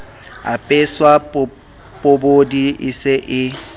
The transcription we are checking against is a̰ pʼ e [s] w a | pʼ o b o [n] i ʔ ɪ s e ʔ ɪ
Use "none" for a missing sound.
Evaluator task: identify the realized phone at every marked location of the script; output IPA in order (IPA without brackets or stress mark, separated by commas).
s, d